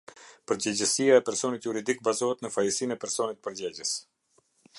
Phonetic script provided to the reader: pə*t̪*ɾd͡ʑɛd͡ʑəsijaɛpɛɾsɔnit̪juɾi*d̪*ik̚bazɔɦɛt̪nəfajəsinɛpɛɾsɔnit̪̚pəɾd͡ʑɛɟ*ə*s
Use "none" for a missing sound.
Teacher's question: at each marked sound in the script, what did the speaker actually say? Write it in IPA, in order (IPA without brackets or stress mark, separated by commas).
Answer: none, d̪, ə